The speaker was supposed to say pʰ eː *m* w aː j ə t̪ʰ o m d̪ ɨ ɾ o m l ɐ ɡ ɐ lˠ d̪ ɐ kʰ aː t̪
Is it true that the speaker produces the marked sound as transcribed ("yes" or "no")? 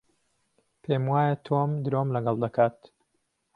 yes